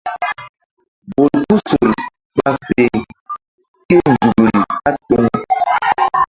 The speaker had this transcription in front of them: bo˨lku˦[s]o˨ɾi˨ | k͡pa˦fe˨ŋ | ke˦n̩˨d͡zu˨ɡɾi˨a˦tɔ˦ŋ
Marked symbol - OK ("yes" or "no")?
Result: yes